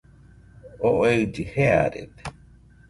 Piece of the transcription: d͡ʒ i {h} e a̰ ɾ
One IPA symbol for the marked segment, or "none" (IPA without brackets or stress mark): h